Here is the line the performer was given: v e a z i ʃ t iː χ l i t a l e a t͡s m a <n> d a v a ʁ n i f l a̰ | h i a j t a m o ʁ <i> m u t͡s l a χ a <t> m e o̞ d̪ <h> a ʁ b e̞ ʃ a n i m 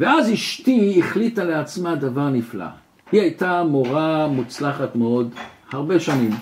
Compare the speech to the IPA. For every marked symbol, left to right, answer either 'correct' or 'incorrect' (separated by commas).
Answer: incorrect, incorrect, correct, correct